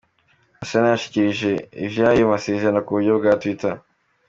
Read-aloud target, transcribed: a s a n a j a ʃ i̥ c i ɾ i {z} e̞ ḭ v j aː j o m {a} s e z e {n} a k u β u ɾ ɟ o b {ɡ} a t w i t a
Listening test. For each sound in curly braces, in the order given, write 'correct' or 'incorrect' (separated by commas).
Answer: incorrect, correct, correct, correct